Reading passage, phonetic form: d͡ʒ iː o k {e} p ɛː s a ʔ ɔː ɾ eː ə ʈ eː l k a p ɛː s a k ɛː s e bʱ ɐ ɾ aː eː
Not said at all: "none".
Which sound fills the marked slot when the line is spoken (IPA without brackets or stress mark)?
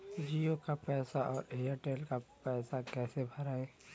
a